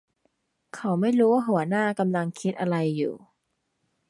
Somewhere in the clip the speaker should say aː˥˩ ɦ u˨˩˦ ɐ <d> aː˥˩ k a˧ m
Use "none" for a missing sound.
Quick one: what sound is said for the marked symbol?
n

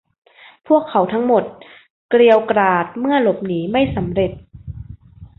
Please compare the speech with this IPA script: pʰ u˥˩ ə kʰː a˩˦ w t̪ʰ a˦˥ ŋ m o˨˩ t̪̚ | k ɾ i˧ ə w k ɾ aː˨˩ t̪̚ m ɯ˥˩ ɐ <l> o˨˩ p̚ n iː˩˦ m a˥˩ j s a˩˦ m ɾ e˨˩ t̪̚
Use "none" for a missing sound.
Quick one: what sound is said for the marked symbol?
l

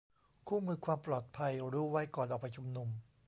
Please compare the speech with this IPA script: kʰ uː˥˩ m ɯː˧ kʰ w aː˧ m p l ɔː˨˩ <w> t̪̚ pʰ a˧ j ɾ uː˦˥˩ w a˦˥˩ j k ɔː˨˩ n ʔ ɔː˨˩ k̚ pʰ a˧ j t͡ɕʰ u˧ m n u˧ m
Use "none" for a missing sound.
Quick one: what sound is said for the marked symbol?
none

